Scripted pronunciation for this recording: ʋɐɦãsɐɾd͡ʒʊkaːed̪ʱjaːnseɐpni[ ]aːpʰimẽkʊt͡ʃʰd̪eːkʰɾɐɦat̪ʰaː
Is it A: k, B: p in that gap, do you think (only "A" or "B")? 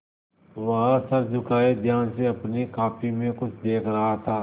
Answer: A